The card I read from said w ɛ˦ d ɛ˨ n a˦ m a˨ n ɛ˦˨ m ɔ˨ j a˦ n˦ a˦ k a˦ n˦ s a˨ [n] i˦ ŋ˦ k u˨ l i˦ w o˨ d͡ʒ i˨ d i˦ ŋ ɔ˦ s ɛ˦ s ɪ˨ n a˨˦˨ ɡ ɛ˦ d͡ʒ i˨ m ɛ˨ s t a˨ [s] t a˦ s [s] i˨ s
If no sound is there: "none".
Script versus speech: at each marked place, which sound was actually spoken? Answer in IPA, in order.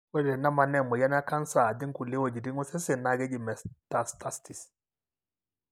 d, s, t

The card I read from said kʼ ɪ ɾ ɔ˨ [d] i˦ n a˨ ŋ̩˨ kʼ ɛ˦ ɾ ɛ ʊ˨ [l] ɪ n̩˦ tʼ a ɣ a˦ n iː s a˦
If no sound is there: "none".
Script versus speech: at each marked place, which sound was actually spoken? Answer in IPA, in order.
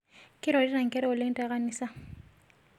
d, l

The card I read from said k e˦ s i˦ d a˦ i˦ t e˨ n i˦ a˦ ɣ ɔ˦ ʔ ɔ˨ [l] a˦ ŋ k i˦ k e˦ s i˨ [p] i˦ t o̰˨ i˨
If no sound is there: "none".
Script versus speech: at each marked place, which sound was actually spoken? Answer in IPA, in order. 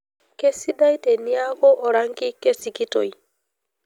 ɾ, k

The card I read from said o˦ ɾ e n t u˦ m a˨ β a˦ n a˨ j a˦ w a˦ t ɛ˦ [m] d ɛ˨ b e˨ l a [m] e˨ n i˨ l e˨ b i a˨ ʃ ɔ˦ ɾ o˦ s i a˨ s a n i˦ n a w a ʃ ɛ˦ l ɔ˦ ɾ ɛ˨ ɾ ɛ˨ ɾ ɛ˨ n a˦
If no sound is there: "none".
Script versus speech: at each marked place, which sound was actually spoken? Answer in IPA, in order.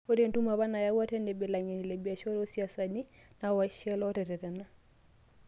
n, ŋ

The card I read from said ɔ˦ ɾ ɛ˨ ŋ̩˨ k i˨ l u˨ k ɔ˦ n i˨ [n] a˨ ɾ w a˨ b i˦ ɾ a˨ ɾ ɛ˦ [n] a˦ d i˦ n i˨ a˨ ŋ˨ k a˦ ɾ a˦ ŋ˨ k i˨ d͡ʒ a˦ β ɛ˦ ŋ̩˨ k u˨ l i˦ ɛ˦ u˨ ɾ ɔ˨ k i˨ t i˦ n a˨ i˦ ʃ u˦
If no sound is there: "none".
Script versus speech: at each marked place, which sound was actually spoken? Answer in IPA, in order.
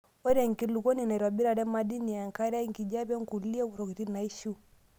n, m

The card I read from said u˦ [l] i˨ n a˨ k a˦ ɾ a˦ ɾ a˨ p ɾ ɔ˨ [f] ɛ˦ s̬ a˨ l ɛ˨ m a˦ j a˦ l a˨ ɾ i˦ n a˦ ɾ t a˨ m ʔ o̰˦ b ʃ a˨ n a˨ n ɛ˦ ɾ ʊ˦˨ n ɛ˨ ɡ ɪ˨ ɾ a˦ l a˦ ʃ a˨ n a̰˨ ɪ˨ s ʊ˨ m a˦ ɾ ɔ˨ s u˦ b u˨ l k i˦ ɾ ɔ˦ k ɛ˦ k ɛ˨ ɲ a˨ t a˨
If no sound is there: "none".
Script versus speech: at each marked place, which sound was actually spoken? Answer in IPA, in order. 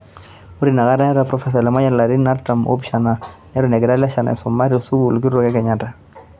ɾ, f

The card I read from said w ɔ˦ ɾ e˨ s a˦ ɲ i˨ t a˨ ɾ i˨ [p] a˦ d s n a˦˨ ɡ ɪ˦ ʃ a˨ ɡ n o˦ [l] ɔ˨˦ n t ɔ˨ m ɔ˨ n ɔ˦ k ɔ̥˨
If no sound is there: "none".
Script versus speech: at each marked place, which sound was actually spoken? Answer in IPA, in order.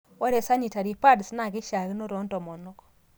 p, ɾ

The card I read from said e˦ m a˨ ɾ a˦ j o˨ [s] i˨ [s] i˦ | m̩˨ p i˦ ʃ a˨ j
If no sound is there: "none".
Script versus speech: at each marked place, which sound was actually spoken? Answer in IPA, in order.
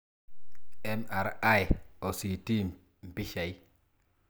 s, t

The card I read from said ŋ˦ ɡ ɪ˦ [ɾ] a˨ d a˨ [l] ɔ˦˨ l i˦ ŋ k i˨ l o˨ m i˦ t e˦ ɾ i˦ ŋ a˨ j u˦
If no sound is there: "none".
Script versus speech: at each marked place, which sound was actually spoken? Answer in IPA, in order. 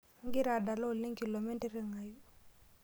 ɾ, l

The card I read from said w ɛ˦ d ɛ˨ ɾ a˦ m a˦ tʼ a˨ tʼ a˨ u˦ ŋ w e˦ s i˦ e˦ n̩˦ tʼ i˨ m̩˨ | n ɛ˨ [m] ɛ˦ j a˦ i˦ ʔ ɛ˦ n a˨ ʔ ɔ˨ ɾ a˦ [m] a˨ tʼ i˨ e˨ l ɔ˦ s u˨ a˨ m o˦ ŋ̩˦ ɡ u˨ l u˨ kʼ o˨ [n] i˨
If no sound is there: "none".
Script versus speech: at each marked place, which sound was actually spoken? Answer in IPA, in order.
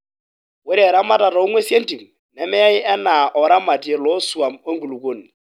m, m, n

